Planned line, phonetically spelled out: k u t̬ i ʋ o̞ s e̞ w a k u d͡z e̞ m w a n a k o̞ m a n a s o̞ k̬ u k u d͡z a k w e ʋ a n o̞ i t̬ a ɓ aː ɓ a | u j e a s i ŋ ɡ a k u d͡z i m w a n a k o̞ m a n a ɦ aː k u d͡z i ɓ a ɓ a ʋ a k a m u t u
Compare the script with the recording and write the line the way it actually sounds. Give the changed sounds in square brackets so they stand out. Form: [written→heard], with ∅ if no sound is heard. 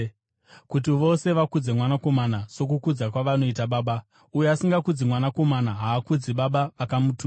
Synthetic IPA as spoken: k u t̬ i ʋ o̞ s e̞ [w→ʋ] a k u d͡z e̞ m w a n a k o̞ m a n a s o̞ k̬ u k u d͡z a k w [e→a] ʋ a n o̞ i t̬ a ɓ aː ɓ a | u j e a s i ŋ ɡ a k u d͡z i m w a n a k o̞ m a n a ɦ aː k u d͡z i ɓ a ɓ a ʋ a k a m u t u